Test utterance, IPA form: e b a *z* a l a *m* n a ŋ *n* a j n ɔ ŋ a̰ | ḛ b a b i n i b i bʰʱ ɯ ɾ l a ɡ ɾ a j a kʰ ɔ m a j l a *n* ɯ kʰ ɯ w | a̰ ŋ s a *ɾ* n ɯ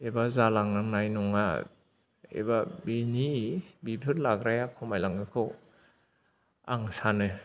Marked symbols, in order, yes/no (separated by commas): yes, no, yes, no, no